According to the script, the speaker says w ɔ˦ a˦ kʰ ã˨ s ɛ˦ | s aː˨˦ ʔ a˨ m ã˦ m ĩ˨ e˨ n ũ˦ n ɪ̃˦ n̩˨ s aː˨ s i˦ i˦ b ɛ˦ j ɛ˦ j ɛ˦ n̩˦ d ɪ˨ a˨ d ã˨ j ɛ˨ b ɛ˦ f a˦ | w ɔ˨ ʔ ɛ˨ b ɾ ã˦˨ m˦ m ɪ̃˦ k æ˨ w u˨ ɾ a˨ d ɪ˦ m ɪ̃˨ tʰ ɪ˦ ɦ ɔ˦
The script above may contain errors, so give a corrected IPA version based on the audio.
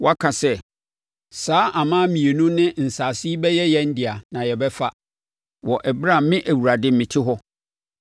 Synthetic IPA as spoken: w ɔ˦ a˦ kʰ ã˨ s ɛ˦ | s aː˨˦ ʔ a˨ m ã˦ m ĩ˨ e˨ n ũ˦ n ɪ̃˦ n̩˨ s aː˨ s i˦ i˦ b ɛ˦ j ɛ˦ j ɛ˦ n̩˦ d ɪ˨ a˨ n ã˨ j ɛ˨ b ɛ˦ f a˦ | w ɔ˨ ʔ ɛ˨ b ɾ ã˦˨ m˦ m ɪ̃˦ ʔ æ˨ w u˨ ɾ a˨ d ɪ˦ m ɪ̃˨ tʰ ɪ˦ ɦ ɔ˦